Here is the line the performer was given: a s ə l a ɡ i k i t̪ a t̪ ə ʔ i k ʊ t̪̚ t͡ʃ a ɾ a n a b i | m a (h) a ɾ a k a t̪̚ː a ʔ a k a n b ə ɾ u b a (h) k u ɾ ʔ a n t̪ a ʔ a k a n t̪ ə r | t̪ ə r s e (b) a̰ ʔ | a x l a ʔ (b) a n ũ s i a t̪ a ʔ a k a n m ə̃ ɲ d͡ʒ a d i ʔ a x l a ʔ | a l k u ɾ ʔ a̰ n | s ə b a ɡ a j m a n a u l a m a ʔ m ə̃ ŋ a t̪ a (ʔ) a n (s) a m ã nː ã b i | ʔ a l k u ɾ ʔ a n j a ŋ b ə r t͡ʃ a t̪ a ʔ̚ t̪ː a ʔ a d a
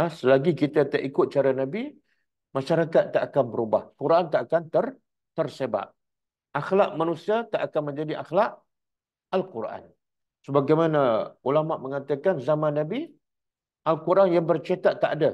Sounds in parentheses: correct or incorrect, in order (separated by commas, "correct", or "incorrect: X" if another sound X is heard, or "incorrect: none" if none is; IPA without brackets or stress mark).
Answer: incorrect: ʃ, correct, correct, incorrect: m, incorrect: k, incorrect: z